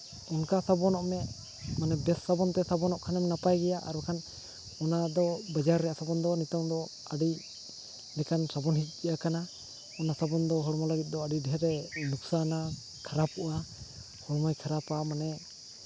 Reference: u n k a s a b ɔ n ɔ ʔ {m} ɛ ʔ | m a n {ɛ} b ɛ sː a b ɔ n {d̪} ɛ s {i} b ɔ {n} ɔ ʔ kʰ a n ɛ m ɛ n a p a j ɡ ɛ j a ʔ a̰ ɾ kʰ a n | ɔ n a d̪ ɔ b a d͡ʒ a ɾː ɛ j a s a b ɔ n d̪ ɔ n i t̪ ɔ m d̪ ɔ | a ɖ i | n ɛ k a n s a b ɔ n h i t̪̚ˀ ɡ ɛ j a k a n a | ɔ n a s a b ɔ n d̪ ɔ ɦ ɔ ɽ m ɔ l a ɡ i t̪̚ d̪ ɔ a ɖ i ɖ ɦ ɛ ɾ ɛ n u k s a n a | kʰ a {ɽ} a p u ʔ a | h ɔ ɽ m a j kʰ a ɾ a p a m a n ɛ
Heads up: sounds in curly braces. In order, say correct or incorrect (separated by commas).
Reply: correct, correct, incorrect, incorrect, correct, incorrect